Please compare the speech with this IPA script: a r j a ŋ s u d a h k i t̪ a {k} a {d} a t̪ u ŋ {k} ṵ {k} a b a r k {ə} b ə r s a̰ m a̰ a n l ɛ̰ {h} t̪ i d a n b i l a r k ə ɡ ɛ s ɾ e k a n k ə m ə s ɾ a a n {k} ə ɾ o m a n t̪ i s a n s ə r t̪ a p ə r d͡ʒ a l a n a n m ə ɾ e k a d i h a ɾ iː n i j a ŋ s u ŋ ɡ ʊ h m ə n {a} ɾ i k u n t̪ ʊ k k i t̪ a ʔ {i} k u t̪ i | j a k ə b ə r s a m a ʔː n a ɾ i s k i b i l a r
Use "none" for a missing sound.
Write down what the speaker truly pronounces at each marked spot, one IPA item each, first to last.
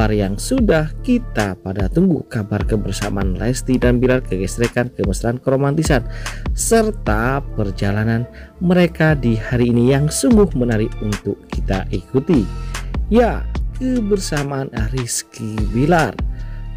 p, d, ɡ, k, ə, s, k, a, i

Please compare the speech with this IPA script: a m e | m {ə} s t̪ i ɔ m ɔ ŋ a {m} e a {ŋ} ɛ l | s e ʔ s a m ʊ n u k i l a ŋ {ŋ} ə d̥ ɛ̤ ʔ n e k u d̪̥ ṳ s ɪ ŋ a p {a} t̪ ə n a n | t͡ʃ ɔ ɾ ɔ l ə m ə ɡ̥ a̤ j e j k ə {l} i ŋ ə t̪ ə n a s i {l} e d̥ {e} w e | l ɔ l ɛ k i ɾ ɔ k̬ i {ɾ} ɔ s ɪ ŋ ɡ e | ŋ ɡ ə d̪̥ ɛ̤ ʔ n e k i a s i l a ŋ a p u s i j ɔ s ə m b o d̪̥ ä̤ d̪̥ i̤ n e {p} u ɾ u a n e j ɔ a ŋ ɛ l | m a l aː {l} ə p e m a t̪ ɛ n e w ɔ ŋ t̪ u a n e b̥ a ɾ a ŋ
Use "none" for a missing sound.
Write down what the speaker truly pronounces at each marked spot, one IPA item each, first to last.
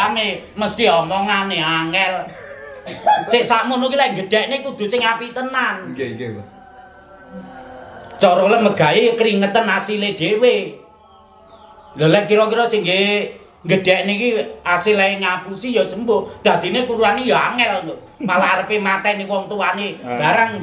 ə, n, ŋ, ɡ, i, ɾ, l, e, ɾ, k, ɾ

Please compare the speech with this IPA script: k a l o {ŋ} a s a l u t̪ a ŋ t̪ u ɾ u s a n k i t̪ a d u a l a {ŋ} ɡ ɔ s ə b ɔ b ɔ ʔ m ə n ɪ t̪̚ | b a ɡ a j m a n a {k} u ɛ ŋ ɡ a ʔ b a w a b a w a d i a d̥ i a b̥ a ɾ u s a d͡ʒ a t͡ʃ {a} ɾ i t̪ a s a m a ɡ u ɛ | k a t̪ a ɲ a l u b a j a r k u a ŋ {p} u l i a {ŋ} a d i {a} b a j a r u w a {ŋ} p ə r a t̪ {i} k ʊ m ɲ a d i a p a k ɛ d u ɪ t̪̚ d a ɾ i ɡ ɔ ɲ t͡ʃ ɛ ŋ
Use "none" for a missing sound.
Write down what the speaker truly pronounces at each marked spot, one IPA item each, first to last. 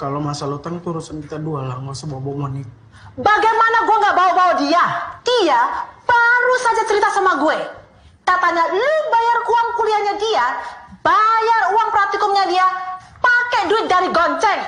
m, ŋ, ɡ, ə, k, ɲ, a, ŋ, i

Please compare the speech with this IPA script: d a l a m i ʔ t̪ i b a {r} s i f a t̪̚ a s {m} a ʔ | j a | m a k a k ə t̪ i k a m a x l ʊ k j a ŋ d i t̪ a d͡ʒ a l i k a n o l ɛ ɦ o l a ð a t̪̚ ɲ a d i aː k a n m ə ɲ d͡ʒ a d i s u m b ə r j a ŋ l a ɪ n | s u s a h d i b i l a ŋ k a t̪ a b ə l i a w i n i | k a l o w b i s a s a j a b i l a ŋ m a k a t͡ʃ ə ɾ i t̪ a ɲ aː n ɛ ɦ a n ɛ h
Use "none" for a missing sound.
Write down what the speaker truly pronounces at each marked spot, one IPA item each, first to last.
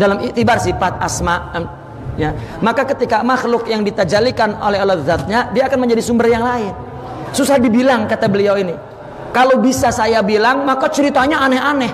r, m

